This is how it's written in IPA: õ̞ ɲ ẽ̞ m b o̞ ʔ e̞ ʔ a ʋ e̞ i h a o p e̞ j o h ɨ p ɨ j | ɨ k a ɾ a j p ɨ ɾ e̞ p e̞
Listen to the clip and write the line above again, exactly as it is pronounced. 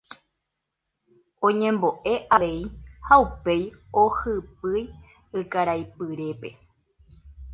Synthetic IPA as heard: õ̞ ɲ ẽ̞ m b o̞ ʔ e̞ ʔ a ʋ e̞ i h a u p e̞ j o h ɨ p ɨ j | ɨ k a ɾ a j p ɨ ɾ e̞ p e̞